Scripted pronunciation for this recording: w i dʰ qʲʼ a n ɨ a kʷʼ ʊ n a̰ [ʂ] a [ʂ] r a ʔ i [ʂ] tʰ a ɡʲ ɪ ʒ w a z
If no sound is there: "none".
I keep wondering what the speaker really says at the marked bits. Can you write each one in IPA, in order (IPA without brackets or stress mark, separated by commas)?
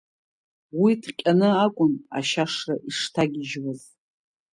ʃ, ʂ, ʂ